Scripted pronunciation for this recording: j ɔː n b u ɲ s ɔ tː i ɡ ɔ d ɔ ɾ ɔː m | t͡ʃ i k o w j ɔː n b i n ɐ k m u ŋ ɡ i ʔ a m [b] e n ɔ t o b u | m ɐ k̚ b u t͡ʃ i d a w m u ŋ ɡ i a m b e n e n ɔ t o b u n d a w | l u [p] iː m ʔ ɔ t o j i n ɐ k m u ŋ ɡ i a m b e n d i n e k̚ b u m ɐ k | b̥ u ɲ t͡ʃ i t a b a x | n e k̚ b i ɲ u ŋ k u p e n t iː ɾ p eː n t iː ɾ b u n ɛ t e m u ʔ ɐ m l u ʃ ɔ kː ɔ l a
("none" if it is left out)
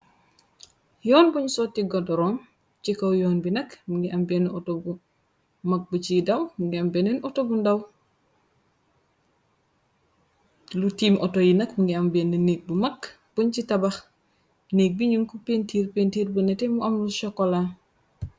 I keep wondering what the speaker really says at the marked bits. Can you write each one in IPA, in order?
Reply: b, t

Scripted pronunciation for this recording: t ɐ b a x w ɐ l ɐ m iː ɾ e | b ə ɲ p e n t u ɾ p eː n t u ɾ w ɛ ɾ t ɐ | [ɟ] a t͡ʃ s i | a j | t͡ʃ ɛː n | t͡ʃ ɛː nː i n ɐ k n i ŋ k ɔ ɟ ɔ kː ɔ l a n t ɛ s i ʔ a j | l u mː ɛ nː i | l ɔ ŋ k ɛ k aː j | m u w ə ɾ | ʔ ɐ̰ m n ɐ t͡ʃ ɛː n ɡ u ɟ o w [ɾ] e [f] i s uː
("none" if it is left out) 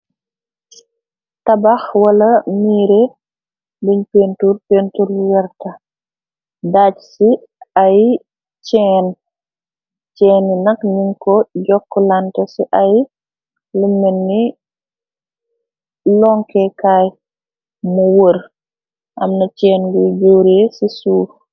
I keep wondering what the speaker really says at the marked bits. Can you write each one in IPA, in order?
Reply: d, ɾ, s

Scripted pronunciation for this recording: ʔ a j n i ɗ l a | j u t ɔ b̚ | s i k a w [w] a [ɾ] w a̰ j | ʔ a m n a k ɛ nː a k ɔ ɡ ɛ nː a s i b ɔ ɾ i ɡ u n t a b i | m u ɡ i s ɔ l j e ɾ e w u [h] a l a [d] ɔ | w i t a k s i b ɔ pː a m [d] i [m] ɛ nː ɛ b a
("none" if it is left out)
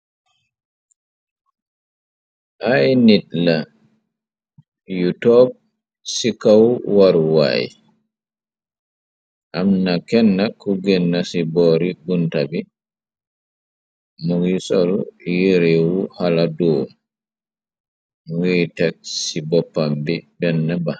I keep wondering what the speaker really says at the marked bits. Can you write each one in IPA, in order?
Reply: w, ɾ, h, d, b, b

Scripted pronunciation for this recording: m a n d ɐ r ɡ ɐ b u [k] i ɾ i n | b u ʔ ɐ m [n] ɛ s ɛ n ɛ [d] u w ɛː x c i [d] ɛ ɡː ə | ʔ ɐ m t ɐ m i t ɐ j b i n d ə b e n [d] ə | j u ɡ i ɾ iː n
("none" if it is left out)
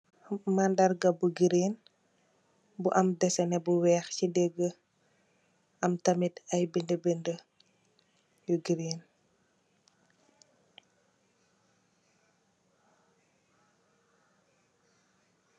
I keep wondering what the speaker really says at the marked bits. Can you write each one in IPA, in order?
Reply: ɡ, d, b, d, d

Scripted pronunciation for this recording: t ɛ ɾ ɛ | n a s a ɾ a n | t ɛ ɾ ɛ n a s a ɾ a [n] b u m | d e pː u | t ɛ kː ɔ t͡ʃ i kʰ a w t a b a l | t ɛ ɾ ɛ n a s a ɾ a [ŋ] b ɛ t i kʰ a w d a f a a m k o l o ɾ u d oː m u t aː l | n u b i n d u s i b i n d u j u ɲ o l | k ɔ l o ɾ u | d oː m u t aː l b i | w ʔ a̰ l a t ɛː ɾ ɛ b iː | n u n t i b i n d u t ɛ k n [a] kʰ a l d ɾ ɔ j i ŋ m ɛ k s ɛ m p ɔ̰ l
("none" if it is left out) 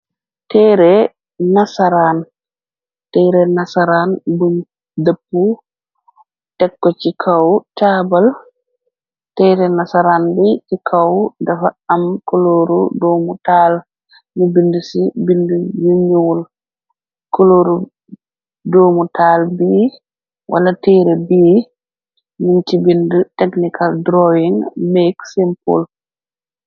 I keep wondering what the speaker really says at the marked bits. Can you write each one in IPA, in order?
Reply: n, n, i

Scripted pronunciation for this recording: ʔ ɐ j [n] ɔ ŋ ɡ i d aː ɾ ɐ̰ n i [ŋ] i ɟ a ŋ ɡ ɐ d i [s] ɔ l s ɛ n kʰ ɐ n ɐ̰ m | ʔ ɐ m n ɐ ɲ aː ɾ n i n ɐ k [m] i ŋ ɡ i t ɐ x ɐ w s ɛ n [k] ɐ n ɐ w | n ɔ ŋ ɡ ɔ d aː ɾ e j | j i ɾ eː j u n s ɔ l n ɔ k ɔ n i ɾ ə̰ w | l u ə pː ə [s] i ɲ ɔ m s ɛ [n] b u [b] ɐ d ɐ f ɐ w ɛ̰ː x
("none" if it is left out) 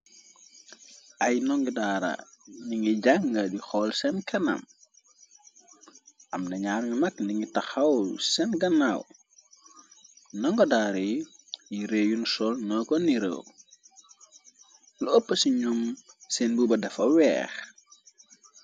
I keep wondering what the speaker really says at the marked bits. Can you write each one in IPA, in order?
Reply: n, ŋ, x, n, ɡ, s, n, b

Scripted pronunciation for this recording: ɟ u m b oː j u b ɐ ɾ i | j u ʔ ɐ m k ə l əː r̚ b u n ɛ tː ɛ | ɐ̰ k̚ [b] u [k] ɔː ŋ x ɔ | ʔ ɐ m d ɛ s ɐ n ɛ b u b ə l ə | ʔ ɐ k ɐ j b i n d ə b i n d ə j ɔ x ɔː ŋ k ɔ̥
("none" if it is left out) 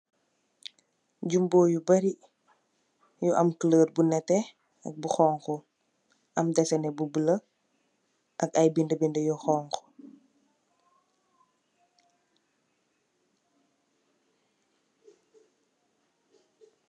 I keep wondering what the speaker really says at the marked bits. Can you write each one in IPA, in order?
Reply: b, x

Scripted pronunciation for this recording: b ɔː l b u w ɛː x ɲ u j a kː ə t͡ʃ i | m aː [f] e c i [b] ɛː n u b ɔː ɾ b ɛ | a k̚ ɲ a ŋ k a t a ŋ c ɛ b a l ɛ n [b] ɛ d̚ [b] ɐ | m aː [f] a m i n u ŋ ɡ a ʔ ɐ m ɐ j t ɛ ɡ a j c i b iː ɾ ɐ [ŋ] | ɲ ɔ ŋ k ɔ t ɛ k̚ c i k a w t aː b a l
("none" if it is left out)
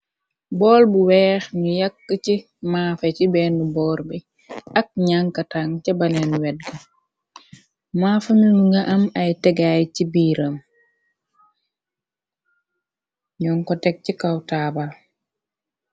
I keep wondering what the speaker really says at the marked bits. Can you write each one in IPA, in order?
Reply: f, b, w, ɡ, f, m

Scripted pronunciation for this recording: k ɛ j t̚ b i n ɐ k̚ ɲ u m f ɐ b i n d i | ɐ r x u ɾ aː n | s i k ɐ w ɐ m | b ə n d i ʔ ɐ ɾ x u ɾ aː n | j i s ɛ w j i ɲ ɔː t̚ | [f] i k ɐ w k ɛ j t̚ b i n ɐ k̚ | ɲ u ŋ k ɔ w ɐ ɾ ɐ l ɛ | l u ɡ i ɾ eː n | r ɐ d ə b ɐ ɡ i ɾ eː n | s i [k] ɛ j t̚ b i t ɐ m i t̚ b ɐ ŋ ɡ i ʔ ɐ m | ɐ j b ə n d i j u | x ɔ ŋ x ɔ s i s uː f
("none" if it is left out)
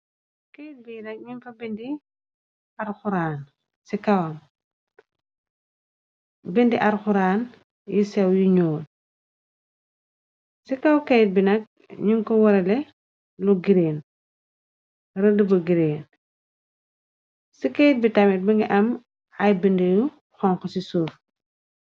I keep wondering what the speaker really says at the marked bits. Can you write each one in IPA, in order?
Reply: s, k

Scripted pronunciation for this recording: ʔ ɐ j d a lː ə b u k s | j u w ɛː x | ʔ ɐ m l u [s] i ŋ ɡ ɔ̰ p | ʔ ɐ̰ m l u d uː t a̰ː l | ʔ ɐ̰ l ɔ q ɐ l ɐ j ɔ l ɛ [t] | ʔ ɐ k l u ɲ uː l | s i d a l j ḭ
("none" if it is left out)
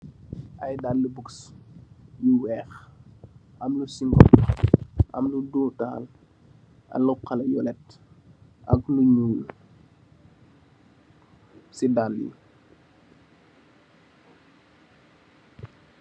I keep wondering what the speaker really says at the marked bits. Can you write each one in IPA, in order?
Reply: s, t

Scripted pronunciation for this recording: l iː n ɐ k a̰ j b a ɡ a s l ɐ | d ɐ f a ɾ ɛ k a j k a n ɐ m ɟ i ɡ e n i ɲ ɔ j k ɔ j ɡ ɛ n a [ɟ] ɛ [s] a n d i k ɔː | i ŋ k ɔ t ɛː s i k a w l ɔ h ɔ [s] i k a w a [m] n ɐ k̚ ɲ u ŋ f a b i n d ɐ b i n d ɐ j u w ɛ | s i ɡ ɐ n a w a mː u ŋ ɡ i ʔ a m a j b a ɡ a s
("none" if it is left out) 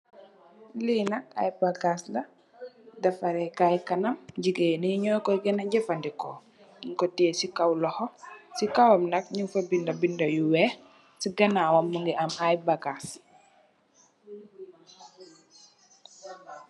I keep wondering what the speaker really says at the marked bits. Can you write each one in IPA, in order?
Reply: ɟ, f, s, m

